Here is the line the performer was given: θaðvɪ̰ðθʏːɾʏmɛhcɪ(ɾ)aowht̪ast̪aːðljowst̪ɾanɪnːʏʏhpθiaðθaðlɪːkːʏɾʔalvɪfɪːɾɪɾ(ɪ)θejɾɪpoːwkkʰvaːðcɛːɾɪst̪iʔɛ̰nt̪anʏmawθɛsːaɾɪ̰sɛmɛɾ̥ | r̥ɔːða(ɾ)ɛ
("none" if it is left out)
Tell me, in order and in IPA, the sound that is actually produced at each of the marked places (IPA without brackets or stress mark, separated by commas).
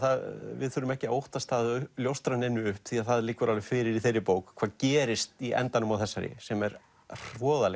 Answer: none, i, l